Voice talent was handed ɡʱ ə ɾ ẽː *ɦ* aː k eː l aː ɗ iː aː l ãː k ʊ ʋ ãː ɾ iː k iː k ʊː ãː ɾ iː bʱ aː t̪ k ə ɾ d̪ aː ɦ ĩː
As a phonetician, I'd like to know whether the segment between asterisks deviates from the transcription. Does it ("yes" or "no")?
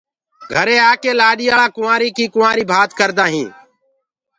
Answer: yes